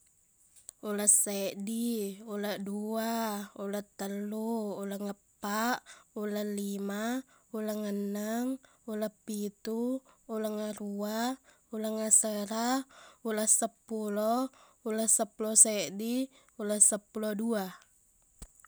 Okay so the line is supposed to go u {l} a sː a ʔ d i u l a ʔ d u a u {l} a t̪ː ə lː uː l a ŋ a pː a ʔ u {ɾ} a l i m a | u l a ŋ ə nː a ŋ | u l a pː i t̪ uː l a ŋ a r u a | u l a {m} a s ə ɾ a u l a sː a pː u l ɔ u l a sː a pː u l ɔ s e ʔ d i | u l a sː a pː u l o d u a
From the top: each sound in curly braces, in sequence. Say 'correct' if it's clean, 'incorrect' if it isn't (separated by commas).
correct, correct, incorrect, incorrect